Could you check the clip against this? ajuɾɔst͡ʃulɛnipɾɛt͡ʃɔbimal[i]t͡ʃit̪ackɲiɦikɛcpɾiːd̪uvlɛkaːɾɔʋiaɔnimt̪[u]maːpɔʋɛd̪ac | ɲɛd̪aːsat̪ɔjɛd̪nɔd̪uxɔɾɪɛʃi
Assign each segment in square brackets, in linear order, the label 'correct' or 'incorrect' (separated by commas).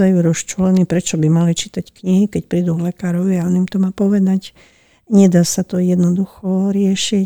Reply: correct, incorrect